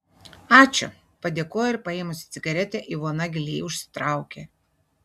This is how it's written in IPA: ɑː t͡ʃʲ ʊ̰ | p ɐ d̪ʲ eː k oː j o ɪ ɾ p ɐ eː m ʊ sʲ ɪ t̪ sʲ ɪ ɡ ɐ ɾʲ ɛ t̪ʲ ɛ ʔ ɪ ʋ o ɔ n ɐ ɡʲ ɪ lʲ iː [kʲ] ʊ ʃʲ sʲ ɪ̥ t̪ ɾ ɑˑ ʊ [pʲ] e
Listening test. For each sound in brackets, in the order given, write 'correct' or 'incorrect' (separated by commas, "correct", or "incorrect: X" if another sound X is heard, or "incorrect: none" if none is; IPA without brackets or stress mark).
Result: incorrect: none, incorrect: kʲ